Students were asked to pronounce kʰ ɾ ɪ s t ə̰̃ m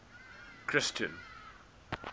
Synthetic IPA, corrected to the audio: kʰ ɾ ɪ s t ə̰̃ n